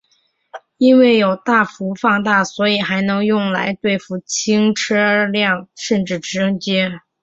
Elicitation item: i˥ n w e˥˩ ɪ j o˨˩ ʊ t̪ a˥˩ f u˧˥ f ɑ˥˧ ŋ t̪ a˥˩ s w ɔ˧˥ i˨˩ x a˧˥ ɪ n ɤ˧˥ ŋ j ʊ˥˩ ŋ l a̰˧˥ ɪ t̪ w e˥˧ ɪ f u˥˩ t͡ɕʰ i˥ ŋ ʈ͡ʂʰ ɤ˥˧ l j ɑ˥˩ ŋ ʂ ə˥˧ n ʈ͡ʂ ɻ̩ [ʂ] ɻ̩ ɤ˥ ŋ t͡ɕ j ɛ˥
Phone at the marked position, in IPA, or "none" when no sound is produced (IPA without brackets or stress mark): ʈ͡ʂ